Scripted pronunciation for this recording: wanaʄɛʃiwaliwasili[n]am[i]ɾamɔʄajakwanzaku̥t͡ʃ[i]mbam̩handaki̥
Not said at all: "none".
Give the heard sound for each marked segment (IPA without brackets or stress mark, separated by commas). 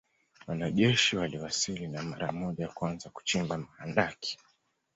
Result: n, a, i